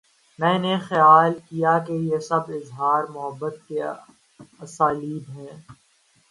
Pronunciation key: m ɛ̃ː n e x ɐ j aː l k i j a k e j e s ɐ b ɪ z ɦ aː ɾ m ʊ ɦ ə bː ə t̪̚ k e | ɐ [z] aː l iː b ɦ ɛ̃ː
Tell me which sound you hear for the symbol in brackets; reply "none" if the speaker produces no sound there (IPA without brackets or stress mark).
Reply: s